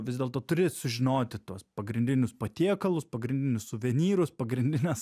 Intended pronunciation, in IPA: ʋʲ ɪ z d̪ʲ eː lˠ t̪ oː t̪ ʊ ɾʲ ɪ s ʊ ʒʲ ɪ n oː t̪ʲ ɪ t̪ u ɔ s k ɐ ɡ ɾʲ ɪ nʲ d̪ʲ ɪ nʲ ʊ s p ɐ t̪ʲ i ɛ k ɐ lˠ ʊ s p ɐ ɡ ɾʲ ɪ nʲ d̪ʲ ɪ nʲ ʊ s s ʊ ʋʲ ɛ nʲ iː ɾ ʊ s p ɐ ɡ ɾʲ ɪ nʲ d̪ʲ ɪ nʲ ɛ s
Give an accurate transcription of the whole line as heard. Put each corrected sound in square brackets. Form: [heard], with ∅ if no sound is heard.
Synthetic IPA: ʋʲ ɪ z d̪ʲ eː lˠ t̪ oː t̪ ʊ ɾʲ ɪ s ʊ ʒʲ ɪ n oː t̪ʲ ɪ t̪ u ɔ s [p] ɐ ɡ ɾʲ ɪ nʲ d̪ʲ ɪ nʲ ʊ s p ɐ t̪ʲ i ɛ k ɐ lˠ ʊ s p ɐ ɡ ɾʲ ɪ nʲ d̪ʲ ɪ nʲ ʊ s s ʊ ʋʲ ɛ nʲ iː ɾ ʊ s p ɐ ɡ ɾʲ ɪ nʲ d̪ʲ ɪ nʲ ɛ s